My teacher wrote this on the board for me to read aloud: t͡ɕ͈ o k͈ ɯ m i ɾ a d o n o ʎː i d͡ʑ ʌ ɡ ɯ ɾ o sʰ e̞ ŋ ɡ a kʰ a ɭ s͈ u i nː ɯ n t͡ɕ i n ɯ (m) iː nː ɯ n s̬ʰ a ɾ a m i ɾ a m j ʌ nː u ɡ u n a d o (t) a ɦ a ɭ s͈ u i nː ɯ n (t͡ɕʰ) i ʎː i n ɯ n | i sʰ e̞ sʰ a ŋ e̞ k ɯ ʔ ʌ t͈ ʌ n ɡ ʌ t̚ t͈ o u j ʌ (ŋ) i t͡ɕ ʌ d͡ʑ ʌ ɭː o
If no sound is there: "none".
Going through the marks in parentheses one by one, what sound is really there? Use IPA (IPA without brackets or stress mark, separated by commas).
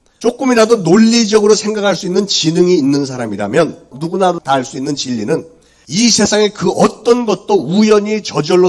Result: ŋ, t, t͡ɕ, ɲ